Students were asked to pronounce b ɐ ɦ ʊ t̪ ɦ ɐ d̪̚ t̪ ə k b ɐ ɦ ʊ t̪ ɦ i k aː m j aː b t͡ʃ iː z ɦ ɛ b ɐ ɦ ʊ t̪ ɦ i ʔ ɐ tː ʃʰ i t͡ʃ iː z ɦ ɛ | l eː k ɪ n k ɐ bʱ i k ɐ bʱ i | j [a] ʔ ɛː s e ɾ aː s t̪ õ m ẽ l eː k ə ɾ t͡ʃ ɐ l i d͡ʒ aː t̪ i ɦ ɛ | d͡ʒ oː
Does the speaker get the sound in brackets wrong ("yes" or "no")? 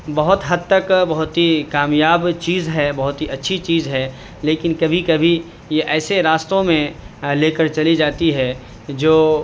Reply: yes